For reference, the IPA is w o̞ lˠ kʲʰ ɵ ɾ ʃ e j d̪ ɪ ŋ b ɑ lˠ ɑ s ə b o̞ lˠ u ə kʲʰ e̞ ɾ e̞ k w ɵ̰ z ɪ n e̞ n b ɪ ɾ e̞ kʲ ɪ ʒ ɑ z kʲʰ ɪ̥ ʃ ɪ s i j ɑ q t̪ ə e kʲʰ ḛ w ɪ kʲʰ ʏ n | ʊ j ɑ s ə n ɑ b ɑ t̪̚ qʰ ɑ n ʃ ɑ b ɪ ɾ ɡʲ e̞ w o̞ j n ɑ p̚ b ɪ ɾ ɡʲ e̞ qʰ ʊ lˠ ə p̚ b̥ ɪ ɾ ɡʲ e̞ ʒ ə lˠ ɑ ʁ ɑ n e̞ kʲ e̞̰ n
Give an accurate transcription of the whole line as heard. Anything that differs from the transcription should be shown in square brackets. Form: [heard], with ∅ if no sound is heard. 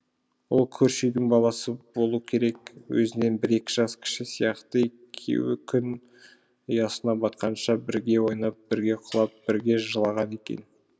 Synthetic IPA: w o̞ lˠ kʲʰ ɵ ɾ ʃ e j d̪ ɪ ŋ b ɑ lˠ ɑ s ə b o̞ lˠ u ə kʲʰ e̞ ɾ e̞ k w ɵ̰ z ɪ n e̞ n b ɪ ɾ e̞ kʲ ɪ ʒ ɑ [s] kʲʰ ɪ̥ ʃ ɪ s i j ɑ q t̪ ə e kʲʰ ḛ w ɪ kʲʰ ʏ n | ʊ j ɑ s ə n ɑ b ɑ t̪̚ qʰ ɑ n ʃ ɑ b ɪ ɾ ɡʲ e̞ w o̞ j n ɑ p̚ b ɪ ɾ ɡʲ e̞ qʰ ʊ lˠ [ɑ] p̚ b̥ ɪ ɾ ɡʲ e̞ ʒ ə lˠ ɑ ʁ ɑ n e̞ kʲ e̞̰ n

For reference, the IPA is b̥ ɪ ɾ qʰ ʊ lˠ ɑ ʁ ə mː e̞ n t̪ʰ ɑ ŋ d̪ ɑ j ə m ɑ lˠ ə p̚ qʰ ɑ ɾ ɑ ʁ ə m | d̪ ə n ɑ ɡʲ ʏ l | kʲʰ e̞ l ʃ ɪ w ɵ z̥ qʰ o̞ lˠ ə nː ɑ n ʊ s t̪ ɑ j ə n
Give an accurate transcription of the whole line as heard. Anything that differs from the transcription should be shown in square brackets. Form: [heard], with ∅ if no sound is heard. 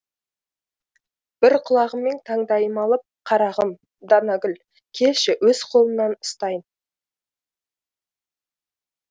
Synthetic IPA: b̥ ɪ ɾ qʰ ʊ lˠ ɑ ʁ ə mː e̞ n t̪ʰ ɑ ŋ d̪ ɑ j ə m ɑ lˠ ə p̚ qʰ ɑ ɾ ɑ ʁ ə m | d̪ [ɑ] n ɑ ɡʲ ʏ l | kʲʰ e̞ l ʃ ɪ w ɵ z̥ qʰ o̞ lˠ ə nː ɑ n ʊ s t̪ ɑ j ə n

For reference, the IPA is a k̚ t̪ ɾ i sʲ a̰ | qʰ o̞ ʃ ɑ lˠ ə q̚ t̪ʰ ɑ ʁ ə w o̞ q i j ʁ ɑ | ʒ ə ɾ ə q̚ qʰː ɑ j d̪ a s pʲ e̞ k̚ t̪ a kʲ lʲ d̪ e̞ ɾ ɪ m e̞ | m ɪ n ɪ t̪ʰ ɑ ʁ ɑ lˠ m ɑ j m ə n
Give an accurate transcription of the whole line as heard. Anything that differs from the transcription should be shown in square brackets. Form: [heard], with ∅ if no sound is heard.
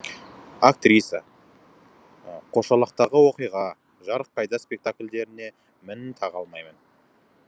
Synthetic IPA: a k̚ t̪ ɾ i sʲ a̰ | qʰ o̞ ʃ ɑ lˠ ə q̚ [t̪] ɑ ʁ ə w o̞ q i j ʁ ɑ | ʒ [ɑ] ɾ ə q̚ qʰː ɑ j d̪ [ɑ] s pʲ e̞ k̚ t̪ a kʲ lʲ d̪ e̞ ɾ ɪ [n] e̞ | m ɪ n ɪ t̪ʰ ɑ ʁ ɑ lˠ m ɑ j m ə n

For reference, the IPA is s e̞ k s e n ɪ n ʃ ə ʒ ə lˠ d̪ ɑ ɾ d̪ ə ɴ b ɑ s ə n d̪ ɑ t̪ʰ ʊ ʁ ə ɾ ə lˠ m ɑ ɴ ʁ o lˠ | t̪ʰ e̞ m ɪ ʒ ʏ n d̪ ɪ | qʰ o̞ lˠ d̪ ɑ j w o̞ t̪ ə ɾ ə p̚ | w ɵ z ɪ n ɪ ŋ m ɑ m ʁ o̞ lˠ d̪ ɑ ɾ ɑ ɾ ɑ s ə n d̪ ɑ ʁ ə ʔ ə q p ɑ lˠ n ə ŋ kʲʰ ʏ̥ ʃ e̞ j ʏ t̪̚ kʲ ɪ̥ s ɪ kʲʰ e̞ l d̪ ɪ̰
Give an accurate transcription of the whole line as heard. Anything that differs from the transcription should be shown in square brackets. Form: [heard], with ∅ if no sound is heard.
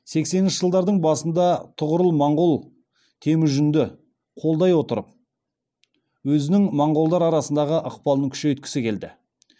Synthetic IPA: s e̞ k s e n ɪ n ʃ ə ʒ ə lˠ d̪ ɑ ɾ d̪ ə ɴ b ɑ s ə n d̪ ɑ t̪ʰ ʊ ʁ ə ɾ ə lˠ m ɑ ɴ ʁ o lˠ | t̪ʰ e̞ m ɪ ʒ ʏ n d̪ ɪ | qʰ o̞ lˠ d̪ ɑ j w o̞ t̪ ə ɾ ə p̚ | w ɵ z ɪ n ɪ ŋ m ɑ [ɴ] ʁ o̞ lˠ d̪ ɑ ɾ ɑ ɾ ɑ s ə n d̪ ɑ ʁ ə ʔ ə q p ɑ lˠ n ə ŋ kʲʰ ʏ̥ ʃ e̞ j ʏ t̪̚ kʲ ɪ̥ s ɪ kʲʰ e̞ l d̪ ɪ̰

